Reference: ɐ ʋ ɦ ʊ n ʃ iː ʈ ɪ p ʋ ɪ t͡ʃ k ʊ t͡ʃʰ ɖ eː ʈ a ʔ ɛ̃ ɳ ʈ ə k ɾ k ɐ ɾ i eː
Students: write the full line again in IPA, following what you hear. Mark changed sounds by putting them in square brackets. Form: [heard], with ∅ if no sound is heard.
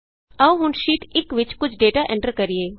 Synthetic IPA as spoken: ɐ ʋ ɦ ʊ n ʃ iː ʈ ɪ [k] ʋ ɪ t͡ʃ k ʊ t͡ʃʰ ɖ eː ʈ a ʔ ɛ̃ ɳ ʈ ə [∅] ɾ k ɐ ɾ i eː